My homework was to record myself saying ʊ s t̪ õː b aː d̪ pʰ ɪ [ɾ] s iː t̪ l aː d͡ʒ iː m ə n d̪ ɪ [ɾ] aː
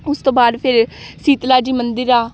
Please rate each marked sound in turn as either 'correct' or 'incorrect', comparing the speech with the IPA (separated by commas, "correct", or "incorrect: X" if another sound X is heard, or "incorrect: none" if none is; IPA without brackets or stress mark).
correct, correct